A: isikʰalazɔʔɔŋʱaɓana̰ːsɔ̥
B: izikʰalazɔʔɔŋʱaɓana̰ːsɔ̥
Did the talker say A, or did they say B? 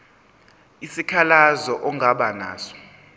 A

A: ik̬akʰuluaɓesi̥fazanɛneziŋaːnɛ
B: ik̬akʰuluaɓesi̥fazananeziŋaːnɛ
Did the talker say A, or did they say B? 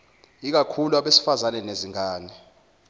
A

